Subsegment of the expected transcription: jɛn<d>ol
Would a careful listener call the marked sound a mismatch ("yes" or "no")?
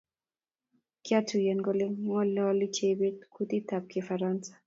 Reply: yes